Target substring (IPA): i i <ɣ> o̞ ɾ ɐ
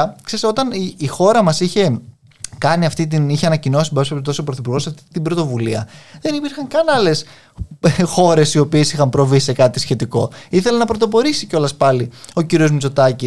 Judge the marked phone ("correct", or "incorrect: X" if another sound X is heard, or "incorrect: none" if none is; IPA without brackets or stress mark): incorrect: x